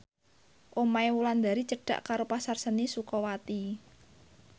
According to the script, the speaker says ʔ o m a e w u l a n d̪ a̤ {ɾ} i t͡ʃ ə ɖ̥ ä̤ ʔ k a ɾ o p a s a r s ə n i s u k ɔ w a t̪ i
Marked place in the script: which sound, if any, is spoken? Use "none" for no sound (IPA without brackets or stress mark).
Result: ɾ